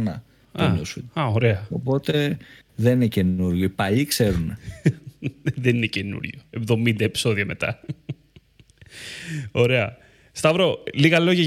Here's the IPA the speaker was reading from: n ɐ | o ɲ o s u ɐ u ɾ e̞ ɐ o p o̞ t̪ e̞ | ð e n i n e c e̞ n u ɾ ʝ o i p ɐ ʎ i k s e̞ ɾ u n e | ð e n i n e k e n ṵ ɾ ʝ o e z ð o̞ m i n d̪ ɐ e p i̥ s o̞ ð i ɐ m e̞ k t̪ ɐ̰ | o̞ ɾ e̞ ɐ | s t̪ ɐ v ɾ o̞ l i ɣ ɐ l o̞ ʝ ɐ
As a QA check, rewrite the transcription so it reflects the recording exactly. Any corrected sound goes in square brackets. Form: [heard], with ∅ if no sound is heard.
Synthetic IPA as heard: n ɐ | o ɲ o s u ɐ [o] ɾ e̞ ɐ o p o̞ t̪ e̞ | ð e n i n e c e̞ n u ɾ ʝ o i p ɐ ʎ i k s e̞ ɾ u n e | ð e n i n e [c] e n ṵ ɾ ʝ o e [v] ð o̞ m i n d̪ ɐ e p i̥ s o̞ ð i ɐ m e̞ [∅] t̪ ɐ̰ | o̞ ɾ e̞ ɐ | s t̪ ɐ v ɾ o̞ l i ɣ ɐ l o̞ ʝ ɐ